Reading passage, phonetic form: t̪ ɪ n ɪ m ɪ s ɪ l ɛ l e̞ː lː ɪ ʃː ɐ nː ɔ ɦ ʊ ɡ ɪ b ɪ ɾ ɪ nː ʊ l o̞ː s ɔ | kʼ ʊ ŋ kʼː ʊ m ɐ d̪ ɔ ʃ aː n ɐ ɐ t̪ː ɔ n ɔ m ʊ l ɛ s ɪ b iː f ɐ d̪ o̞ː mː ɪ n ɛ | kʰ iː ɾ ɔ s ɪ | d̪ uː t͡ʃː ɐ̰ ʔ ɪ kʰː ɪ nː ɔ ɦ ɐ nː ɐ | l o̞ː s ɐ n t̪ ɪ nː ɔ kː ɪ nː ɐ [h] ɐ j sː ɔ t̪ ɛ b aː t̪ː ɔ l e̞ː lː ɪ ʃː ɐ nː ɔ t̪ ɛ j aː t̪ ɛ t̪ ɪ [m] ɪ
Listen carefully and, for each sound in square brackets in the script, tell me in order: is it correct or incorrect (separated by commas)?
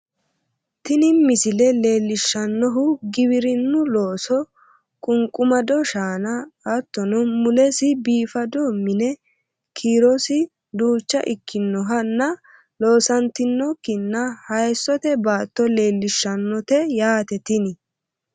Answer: correct, incorrect